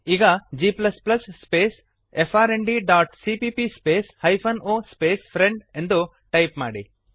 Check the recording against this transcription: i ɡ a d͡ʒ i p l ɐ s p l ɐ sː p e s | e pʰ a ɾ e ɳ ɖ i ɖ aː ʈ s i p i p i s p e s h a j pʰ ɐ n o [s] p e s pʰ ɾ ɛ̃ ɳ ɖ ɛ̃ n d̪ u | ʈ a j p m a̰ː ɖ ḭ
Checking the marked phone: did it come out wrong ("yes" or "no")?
no